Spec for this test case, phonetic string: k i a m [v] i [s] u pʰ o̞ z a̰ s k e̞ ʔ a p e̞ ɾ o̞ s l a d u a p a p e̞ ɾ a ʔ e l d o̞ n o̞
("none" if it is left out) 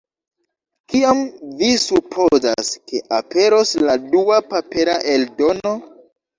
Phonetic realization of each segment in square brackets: v, s

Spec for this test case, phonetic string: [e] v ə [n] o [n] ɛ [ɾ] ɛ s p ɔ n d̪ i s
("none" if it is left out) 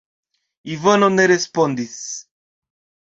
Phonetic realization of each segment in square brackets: i, n, n, ɾ

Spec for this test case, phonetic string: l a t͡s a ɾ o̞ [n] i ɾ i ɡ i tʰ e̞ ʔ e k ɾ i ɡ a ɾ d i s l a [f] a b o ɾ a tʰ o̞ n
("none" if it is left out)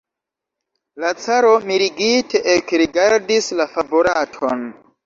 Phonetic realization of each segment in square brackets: m, f

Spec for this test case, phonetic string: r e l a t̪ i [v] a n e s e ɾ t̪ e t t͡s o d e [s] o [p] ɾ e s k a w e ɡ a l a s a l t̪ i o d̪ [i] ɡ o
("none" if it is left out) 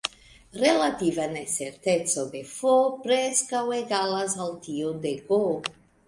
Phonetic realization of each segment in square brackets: v, f, p, e

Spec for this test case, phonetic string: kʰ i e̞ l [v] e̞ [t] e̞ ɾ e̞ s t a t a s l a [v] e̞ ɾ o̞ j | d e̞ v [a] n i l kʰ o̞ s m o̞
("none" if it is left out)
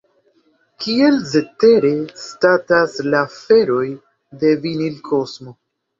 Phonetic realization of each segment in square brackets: z, t, f, i

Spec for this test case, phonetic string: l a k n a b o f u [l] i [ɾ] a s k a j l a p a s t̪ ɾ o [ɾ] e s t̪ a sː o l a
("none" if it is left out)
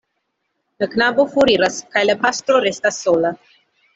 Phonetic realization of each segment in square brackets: ɾ, ɾ, ɾ

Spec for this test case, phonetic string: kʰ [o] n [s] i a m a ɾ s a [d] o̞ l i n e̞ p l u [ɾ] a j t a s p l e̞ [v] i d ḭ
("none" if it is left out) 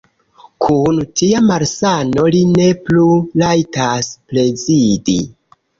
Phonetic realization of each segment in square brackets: u, t, n, l, z

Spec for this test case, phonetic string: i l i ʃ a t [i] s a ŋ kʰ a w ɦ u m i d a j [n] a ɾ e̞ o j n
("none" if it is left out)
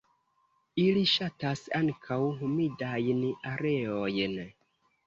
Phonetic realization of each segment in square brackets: a, n

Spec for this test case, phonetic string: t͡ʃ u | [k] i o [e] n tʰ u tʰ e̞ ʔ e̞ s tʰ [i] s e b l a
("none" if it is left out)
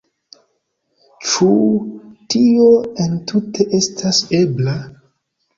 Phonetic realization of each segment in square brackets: t, e, a

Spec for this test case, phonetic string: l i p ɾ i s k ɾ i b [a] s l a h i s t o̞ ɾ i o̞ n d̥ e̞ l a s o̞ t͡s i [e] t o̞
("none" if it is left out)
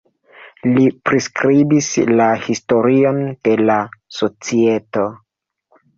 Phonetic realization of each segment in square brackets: i, e

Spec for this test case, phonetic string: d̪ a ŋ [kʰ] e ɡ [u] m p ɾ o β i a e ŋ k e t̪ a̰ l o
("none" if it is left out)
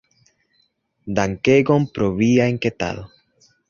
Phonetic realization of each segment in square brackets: k, o

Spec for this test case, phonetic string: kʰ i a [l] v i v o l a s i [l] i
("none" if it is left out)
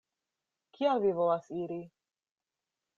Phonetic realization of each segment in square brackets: l, ɾ

